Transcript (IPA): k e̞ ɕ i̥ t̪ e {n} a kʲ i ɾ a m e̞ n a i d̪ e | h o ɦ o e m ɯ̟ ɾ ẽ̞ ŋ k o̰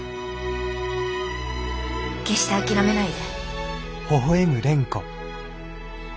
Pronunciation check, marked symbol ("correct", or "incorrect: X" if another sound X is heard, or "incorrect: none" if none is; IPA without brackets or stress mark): incorrect: none